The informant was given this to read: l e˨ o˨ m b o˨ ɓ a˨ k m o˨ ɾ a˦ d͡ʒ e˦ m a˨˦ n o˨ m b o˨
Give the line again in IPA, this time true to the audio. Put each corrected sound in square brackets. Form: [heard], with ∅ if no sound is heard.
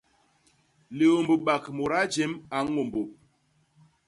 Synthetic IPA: l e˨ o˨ m b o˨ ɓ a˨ k m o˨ ɾ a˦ d͡ʒ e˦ m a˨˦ [ŋ] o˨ m b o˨